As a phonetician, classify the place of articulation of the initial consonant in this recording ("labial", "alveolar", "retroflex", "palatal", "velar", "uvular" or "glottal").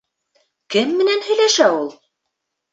velar